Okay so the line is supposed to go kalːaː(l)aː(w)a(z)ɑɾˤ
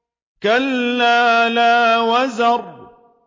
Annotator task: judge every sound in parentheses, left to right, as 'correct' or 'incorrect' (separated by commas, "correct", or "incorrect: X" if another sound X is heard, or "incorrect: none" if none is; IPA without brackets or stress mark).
correct, correct, correct